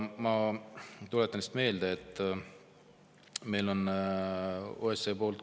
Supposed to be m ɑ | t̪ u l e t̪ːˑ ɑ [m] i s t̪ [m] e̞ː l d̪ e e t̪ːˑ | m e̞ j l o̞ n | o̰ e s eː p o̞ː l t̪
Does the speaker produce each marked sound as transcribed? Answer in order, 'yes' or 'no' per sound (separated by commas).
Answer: no, yes